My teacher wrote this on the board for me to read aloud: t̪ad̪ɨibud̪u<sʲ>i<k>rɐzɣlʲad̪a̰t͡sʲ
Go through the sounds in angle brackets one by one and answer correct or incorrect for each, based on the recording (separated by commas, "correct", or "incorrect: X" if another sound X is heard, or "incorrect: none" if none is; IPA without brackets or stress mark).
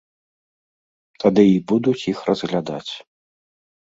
incorrect: t͡sʲ, incorrect: x